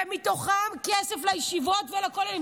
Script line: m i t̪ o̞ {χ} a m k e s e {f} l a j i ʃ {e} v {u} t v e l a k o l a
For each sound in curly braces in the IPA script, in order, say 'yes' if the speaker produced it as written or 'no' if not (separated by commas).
yes, yes, no, no